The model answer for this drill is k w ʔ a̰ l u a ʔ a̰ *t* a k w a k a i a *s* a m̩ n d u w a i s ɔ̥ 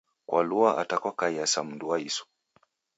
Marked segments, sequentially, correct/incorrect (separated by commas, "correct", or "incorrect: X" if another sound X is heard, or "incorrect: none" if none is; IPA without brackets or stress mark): correct, correct